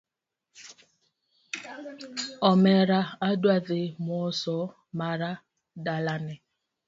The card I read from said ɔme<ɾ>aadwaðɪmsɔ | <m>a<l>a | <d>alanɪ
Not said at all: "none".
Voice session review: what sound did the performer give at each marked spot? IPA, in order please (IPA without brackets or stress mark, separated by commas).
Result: ɾ, m, ɾ, d